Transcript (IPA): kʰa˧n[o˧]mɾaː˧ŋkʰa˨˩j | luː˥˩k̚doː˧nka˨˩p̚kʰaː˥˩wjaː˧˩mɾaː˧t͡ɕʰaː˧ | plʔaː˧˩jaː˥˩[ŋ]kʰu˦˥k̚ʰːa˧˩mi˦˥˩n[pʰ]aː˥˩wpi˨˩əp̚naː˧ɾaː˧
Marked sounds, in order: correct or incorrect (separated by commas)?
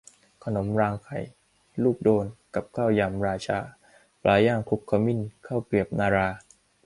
incorrect, correct, incorrect